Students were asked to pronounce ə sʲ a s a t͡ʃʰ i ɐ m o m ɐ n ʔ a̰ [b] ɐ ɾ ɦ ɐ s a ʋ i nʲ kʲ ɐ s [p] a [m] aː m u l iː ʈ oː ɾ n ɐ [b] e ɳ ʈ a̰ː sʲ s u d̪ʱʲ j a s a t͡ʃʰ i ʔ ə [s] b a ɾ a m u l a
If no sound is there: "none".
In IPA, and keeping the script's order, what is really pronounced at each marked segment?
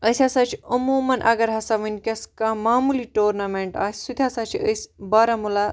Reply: ɡ, k, m, m, s

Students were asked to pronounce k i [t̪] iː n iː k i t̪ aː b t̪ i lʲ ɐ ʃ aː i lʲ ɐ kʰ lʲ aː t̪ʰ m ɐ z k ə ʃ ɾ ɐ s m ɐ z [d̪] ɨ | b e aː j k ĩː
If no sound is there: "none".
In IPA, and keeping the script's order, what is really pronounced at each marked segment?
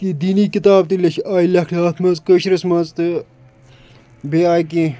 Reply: d̪, t̪

